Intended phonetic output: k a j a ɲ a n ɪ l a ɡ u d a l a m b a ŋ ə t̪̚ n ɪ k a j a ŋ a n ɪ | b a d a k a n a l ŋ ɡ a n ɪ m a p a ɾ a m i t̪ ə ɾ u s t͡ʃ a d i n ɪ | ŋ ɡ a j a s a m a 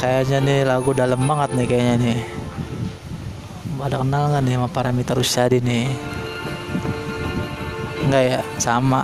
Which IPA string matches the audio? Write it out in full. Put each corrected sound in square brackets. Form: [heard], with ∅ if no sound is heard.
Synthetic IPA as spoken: k a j a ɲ a n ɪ l a ɡ u d a l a m b a ŋ ə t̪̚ n ɪ k a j a [ɲ] a n ɪ | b a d a k [ə] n a l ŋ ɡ a n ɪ m a p a ɾ a m i t̪ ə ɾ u s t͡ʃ a d i n ɪ | ŋ ɡ a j a s a m a